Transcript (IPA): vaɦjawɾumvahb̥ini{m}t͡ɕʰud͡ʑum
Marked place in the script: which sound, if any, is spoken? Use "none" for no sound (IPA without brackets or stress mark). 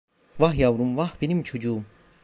m